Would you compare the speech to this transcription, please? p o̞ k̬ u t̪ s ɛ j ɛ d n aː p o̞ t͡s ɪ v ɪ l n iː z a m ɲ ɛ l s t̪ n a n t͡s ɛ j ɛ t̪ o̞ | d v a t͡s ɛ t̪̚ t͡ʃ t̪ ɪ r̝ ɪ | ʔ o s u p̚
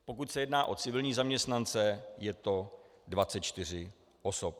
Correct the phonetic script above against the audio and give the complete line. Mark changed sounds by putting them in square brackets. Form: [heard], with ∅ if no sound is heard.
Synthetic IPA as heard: p o̞ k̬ u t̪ s ɛ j ɛ d n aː [ʔ] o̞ t͡s ɪ v ɪ l [ɲ] iː z a m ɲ ɛ [∅] s t̪ n a n t͡s ɛ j ɛ t̪ o̞ | d v a t͡s ɛ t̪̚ t͡ʃ t̪ ɪ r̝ ɪ | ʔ o s [o] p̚

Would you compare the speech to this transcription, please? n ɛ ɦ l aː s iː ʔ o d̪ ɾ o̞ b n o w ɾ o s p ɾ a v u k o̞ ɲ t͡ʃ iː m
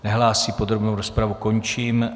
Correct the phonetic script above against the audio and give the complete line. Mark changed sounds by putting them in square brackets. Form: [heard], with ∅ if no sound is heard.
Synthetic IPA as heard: n ɛ ɦ l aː s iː [p] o d̪ ɾ o̞ b n o w ɾ o s p ɾ a v u k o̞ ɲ t͡ʃ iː m

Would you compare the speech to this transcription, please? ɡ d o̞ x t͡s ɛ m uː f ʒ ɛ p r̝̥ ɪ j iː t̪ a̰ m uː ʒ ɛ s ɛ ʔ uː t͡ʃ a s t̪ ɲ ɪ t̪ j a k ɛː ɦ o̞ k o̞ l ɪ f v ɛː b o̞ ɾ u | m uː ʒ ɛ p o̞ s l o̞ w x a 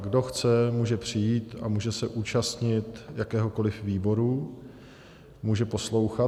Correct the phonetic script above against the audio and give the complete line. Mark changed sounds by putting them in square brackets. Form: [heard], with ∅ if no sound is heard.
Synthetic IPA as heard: ɡ d o̞ x t͡s ɛ m uː [∅] ʒ ɛ p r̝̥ ɪ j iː t̪ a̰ m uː ʒ ɛ s ɛ ʔ uː t͡ʃ a s t̪ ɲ ɪ t̪ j a k ɛː ɦ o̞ k o̞ l ɪ f v [iː] b o̞ ɾ u | m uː ʒ ɛ p o̞ s l o̞ w x a

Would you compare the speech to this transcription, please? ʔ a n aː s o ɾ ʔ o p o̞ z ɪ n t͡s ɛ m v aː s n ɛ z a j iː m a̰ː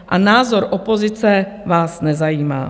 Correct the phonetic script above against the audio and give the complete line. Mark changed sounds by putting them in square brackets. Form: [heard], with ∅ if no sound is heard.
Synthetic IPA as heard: ʔ a n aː [z] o ɾ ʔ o p o̞ z ɪ [∅] t͡s ɛ [∅] v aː s n ɛ z a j iː m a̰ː

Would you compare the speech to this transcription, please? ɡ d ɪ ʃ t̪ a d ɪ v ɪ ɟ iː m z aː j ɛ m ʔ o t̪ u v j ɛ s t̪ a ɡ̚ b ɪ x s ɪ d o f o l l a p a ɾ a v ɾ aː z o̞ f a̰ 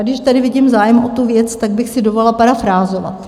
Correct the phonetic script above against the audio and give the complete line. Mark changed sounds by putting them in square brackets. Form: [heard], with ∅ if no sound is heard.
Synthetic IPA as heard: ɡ d ɪ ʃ t̪ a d ɪ v ɪ ɟ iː m z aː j ɛ m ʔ o t̪ u v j ɛ [t͡s] t̪ a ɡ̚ b ɪ x s ɪ d o [v] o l l a p a ɾ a [f] ɾ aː z o̞ [v] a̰

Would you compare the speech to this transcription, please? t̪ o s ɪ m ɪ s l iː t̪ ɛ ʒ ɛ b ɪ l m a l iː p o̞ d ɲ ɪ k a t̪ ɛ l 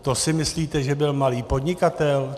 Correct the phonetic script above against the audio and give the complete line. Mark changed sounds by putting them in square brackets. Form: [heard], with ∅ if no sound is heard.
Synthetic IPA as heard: t̪ o s ɪ m ɪ s l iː t̪ ɛ ʒ ɛ b ɪ l m a l iː p o̞ d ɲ ɪ k a t̪ ɛ l

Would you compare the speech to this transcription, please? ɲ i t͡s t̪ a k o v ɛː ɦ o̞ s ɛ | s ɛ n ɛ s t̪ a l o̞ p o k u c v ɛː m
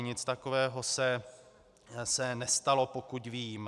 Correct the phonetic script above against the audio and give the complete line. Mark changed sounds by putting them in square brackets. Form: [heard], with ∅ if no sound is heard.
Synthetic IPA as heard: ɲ [ɪ] t͡s t̪ a k o v ɛː ɦ o̞ s ɛ | s ɛ n ɛ s t̪ a l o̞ p o k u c v [iː] m

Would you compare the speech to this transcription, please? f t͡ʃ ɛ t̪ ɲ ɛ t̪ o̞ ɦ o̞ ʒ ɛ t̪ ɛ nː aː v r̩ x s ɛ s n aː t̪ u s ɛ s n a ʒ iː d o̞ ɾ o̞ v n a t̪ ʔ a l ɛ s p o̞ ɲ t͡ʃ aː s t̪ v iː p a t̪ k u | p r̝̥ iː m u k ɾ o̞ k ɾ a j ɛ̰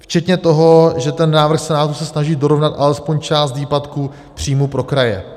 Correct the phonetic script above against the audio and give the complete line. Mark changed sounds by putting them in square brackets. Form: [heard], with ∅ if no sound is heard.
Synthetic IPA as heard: f t͡ʃ ɛ t̪ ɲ ɛ t̪ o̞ ɦ o̞ ʒ ɛ t̪ ɛ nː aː v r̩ x s ɛ [∅] n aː t̪ u s ɛ s n a ʒ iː d o̞ ɾ o̞ v n a t̪ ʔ a l ɛ s p o̞ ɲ t͡ʃ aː s t̪ v iː p a t̪ k u | p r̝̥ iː m u [p] ɾ o̞ k ɾ a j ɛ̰

